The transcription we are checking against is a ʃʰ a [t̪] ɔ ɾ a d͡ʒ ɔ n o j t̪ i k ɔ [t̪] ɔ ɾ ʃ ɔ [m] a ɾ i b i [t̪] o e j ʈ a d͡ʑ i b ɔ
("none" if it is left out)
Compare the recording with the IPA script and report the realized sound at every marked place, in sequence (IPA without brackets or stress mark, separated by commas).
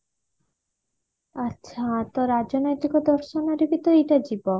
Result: t̪, d̪, n, t̪